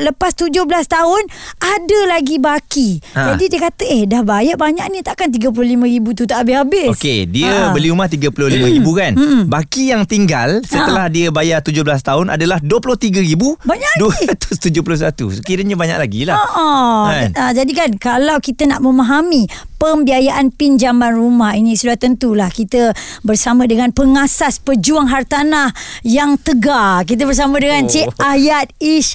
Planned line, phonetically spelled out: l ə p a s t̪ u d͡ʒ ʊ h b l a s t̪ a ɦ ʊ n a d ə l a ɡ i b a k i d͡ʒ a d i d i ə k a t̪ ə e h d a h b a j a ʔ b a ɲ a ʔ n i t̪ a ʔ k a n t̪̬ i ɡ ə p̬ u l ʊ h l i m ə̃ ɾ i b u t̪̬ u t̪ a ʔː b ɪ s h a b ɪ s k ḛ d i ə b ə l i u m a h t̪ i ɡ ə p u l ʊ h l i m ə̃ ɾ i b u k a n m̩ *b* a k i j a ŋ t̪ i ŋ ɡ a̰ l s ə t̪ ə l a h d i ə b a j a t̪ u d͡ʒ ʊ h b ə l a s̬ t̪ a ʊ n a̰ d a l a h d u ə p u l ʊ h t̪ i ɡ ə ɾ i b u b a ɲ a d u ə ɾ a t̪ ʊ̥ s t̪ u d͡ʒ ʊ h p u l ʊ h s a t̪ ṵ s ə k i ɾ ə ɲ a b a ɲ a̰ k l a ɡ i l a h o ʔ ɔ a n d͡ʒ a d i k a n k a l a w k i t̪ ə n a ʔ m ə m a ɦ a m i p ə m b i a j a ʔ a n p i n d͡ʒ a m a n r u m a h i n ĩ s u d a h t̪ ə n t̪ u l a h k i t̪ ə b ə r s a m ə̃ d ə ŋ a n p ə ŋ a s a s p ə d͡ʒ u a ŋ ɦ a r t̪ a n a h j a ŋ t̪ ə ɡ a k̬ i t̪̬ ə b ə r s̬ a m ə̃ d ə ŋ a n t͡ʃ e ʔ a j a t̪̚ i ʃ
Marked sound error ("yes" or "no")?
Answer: no